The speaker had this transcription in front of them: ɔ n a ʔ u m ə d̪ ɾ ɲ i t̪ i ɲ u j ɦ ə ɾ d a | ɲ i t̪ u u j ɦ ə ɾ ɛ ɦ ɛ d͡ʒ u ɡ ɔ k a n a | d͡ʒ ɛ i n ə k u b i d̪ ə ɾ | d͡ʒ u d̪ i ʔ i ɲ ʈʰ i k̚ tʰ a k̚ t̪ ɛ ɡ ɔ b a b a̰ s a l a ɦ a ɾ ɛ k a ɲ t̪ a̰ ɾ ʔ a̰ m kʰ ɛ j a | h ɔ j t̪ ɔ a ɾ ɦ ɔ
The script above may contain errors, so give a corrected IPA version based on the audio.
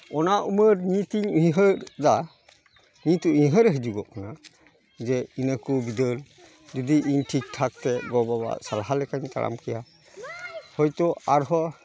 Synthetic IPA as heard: ɔ n a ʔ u m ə ɾ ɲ i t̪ i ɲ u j ɦ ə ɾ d a | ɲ i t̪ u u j ɦ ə ɾ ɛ ɦ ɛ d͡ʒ u ɡ ɔ k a n a | d͡ʒ ɛ i n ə k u b i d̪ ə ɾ | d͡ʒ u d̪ i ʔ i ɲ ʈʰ i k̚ tʰ a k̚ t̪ ɛ ɡ ɔ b a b a̰ s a l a ɦ a l ɛ k a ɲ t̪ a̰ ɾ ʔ a̰ m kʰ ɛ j a | h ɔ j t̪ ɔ a ɾ ɦ ɔ